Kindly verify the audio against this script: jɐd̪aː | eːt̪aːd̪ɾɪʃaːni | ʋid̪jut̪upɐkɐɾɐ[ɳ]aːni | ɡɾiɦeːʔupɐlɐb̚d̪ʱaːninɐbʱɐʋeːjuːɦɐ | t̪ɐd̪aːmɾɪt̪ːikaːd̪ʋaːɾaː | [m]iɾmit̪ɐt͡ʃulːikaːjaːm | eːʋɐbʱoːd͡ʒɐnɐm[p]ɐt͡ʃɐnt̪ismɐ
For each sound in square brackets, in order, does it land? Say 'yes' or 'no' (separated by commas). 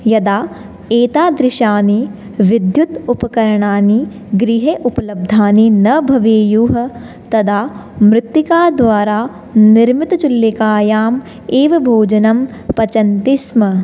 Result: yes, no, yes